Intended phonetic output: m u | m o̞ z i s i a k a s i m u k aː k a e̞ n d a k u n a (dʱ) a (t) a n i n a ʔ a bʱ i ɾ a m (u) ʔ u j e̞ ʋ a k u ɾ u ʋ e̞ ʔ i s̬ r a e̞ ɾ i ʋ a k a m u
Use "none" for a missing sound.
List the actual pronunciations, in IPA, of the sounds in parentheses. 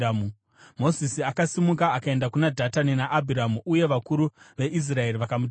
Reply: dʱ, t, u

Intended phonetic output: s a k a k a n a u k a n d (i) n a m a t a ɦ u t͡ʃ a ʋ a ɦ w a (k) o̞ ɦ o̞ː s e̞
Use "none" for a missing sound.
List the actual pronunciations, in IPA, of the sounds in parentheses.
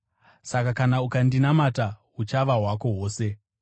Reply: i, k

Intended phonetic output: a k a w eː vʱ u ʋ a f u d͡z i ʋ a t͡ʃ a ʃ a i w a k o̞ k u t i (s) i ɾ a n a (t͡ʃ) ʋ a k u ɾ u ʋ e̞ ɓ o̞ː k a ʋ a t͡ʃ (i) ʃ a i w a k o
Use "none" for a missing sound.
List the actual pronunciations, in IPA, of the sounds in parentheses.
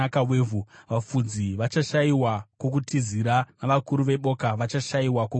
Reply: z, none, a

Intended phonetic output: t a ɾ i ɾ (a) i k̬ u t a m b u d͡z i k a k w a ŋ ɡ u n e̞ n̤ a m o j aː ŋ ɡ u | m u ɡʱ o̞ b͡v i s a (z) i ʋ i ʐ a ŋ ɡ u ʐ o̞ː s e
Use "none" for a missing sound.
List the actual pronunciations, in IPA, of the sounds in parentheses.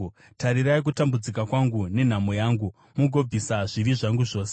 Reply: a, ʐ

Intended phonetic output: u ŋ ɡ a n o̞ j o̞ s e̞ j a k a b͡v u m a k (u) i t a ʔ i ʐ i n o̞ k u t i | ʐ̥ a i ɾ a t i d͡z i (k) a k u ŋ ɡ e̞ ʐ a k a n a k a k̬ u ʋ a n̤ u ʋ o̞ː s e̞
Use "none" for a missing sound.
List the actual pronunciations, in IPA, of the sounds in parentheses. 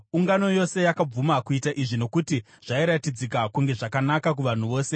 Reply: u, k

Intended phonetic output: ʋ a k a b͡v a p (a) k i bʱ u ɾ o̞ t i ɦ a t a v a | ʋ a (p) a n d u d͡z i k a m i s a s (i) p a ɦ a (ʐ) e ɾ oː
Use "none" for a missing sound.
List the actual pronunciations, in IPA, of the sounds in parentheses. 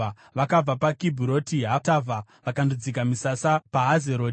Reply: a, k, a, z

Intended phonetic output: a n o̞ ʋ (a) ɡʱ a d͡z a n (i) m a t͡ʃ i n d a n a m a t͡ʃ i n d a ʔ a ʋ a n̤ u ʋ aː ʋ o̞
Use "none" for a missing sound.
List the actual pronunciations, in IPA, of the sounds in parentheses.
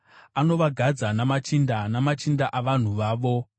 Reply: a, a

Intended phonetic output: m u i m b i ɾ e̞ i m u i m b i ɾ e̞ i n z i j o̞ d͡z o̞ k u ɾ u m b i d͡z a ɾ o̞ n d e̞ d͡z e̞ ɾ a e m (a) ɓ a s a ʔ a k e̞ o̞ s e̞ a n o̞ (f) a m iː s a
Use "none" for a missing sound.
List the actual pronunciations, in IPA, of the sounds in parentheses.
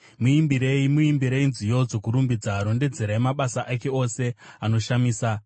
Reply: a, ʃ

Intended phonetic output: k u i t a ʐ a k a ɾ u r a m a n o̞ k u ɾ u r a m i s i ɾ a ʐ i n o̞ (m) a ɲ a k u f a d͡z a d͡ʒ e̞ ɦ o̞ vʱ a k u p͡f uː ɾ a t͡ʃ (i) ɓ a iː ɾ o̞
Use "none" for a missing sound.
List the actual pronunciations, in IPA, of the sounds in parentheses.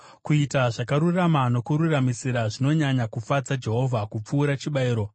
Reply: ɲ, i

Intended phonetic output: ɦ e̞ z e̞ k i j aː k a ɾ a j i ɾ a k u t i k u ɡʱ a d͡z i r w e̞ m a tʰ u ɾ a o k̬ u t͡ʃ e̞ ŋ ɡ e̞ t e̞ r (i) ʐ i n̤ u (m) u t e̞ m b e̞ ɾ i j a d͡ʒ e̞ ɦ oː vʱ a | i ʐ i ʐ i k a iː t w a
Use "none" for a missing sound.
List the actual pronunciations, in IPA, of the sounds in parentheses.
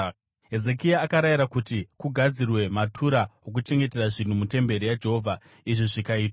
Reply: a, m

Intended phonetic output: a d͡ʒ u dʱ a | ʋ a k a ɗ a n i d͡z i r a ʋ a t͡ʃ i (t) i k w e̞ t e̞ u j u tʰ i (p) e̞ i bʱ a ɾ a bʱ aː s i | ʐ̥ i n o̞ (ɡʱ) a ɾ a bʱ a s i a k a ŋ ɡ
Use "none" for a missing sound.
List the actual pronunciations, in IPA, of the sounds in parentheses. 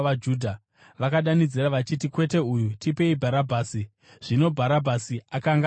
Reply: t, p, bʱ

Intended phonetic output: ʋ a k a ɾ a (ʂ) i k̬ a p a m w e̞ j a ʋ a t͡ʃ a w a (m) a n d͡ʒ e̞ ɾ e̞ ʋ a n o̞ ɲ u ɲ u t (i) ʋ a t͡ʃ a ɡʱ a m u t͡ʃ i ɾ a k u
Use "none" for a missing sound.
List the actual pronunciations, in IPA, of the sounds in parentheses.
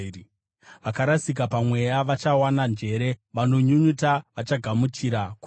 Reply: s, n, a

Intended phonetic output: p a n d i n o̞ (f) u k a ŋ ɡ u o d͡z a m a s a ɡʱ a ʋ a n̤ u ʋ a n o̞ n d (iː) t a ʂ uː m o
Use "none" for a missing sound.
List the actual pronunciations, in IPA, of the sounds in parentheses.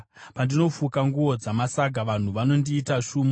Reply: f, iː

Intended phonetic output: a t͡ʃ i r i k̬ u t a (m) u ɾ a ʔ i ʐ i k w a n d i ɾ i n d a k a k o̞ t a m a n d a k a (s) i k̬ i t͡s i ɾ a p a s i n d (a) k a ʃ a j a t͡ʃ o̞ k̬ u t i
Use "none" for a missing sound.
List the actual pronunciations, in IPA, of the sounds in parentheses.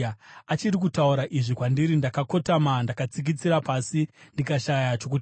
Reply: none, t͡s, i

